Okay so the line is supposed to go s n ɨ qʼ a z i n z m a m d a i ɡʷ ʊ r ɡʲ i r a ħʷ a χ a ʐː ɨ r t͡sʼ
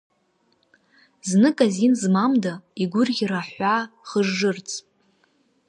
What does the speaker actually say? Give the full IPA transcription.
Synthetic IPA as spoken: z n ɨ kʼ a z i n z m a m d a i ɡʷ ʊ r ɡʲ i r a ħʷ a χ ə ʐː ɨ r t͡sʼ